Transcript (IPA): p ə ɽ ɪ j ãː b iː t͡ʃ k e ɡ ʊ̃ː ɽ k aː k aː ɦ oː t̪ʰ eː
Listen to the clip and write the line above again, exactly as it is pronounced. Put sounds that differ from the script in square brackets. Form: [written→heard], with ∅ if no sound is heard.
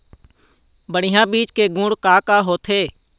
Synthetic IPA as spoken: [p→b] ə ɽ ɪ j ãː b iː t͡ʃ k e ɡ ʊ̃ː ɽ k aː k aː ɦ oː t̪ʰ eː